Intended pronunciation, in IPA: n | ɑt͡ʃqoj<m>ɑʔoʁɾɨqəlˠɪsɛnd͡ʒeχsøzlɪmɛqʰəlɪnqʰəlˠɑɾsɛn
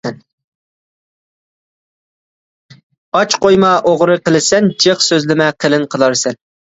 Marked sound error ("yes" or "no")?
no